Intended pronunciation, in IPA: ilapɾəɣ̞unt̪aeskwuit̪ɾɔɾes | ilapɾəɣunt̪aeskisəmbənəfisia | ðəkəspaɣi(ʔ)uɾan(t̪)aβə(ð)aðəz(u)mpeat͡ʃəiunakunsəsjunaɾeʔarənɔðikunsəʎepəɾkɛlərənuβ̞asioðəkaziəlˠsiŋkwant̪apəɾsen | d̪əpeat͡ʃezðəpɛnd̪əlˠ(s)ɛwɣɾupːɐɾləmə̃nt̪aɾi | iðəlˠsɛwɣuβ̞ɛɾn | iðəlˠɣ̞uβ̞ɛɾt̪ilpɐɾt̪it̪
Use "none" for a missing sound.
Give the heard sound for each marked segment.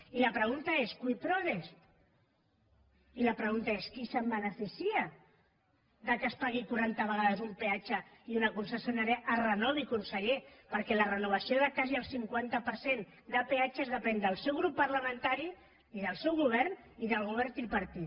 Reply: k, t̪, ɣ, u, s

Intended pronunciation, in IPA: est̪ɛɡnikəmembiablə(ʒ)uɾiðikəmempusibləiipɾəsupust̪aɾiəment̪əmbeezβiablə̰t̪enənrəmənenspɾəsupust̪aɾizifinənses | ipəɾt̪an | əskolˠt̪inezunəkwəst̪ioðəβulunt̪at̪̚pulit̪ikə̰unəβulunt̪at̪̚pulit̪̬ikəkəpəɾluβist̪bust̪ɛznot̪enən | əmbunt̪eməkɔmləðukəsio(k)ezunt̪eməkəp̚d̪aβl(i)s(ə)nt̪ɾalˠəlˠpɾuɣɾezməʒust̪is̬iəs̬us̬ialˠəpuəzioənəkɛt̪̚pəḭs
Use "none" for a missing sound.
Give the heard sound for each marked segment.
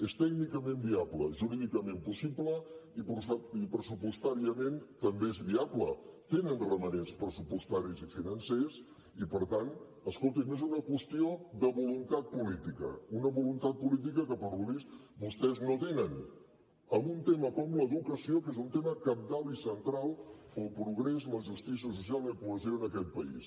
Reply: ʒ, k, i, ə

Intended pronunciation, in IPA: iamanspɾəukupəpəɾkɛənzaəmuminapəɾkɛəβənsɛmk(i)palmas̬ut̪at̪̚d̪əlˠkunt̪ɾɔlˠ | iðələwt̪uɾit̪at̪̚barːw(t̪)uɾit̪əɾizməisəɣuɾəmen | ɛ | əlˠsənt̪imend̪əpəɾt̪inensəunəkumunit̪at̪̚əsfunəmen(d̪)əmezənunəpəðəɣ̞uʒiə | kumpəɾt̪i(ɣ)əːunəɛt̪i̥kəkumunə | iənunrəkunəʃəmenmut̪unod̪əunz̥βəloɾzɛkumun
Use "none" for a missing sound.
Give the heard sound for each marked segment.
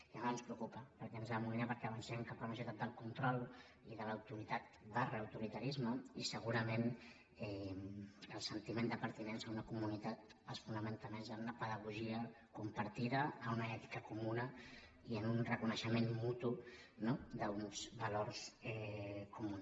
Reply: a, t̪, t̪, ð

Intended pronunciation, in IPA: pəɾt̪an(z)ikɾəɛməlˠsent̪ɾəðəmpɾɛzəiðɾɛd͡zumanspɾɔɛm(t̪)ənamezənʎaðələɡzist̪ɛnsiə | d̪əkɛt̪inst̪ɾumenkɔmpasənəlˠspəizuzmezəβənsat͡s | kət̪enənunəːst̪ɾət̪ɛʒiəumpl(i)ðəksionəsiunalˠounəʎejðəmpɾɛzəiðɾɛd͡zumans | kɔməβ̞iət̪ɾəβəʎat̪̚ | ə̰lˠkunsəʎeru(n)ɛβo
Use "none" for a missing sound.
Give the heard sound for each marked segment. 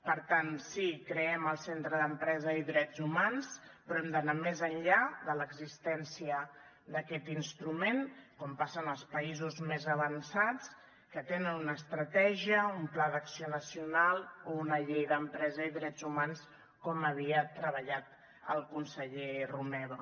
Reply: s, d̪, a, m

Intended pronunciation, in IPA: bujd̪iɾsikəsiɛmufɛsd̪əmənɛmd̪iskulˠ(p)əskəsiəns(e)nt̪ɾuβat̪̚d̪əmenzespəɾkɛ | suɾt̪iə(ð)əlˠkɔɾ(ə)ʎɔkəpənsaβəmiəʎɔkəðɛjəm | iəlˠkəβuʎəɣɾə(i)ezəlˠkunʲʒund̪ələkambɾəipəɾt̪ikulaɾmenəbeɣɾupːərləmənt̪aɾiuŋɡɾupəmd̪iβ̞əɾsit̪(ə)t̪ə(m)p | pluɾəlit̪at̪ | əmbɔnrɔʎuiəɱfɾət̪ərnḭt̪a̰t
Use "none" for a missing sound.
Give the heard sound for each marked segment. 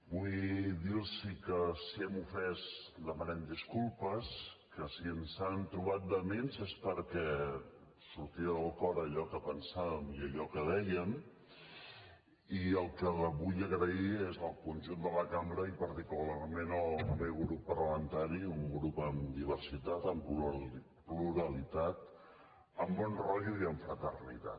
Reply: p, a, ð, ə, i, a, m

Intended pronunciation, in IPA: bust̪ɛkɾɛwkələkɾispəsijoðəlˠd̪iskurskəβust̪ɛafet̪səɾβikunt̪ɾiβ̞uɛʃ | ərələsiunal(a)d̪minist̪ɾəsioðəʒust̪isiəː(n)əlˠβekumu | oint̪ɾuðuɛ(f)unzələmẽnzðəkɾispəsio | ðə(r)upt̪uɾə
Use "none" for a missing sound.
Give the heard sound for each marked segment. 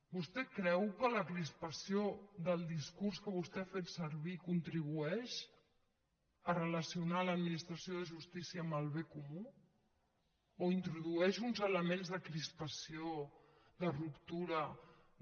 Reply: ə, m, ʃ, r

